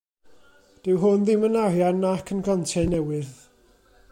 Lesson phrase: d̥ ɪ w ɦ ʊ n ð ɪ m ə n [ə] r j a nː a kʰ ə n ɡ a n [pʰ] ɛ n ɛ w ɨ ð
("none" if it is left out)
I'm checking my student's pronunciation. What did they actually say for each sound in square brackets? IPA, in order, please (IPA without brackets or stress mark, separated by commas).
a, tʰ